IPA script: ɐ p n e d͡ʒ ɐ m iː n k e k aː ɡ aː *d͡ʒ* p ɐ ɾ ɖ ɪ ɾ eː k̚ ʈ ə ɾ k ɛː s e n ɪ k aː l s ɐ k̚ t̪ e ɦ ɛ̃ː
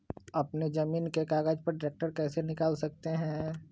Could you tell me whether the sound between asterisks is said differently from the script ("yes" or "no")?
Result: no